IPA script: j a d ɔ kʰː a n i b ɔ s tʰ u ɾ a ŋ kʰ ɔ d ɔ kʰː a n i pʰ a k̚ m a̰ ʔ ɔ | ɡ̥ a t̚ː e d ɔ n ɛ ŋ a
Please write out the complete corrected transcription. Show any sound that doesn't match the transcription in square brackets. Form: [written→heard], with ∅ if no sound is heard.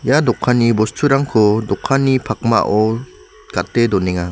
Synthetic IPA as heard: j a d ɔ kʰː a n i b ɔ s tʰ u ɾ a ŋ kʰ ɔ d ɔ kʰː a n i pʰ a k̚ m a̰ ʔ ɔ | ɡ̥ a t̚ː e d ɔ n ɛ ŋ a